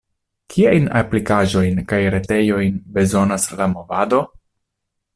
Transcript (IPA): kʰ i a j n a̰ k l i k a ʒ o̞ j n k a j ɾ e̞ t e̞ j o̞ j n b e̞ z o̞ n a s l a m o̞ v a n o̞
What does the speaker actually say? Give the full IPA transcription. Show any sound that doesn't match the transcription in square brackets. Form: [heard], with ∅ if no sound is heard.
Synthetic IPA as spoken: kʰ i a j n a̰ [p] l i k a ʒ o̞ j n k a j ɾ e̞ t e̞ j o̞ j n b e̞ z o̞ n a s l a m o̞ v a [d] o̞